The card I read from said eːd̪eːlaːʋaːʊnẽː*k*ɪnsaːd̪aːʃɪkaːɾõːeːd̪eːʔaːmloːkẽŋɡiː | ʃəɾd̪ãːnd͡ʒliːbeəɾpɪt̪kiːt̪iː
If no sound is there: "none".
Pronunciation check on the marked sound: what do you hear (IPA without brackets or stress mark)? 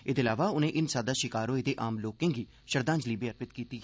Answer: ʔ